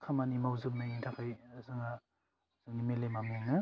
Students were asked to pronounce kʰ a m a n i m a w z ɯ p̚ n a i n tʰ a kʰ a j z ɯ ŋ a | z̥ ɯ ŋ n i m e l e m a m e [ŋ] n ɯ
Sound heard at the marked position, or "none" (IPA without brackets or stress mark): ŋ